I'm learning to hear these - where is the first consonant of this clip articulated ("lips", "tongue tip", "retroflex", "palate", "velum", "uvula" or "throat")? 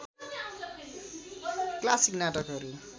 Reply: velum